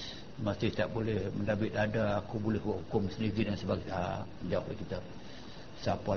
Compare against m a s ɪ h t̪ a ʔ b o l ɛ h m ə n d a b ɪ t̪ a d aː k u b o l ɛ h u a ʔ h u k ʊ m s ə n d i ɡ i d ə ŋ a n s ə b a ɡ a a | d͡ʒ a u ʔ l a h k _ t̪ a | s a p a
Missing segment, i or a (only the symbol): i